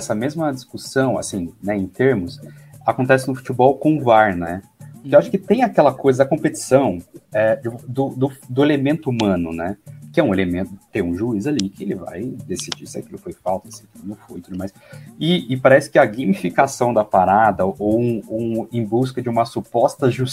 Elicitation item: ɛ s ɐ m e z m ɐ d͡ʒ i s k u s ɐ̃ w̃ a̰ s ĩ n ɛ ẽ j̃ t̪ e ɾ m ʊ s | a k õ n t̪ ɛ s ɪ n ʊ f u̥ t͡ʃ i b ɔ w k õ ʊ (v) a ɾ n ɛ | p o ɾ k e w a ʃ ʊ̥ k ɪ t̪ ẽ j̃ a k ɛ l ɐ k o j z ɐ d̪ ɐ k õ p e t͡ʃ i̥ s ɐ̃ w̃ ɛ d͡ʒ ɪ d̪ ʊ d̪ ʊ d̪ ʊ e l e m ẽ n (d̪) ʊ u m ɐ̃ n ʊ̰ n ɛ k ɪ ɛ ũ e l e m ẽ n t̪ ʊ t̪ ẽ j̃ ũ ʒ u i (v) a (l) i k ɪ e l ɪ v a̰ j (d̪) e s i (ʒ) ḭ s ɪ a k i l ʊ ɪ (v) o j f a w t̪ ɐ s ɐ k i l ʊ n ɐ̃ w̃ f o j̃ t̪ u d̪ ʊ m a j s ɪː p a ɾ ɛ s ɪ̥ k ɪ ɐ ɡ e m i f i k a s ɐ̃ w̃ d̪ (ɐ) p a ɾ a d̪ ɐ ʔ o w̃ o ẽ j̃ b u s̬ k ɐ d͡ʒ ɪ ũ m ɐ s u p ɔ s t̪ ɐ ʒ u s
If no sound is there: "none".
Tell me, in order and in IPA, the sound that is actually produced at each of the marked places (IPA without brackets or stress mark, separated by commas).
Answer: v, t̪, z, l, d̪, d͡ʒ, f, ɐ